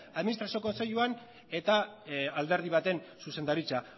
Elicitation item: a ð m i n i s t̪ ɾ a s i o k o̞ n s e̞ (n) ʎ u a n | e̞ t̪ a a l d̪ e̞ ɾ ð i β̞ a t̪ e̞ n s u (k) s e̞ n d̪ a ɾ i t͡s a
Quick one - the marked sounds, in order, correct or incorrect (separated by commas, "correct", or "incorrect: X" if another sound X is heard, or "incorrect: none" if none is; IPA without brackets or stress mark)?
incorrect: none, incorrect: none